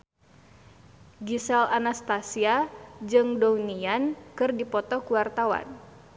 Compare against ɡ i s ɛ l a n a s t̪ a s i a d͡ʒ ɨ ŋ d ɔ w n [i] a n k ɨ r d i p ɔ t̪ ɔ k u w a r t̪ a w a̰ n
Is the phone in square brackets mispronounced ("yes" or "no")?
no